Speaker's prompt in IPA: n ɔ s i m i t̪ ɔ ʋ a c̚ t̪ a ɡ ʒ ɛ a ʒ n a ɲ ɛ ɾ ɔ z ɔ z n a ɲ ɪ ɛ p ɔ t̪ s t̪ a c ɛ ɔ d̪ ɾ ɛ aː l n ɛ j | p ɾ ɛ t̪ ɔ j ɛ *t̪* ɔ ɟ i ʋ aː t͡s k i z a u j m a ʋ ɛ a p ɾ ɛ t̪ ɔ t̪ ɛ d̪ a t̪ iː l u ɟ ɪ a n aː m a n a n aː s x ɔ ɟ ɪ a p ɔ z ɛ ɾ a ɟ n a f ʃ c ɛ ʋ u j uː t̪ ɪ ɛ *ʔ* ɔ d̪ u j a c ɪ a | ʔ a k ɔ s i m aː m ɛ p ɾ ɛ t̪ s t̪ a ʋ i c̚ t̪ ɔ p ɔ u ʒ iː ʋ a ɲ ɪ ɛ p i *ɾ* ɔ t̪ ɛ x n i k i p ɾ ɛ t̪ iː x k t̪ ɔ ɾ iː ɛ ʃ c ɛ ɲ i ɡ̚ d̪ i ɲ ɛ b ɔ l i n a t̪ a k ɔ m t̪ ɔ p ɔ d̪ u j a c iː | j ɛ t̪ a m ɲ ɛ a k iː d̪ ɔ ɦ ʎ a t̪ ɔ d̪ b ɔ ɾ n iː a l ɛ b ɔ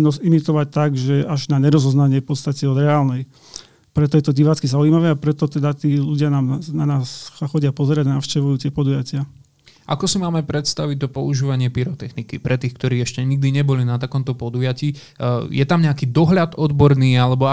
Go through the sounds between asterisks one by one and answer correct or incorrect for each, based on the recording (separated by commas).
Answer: correct, incorrect, correct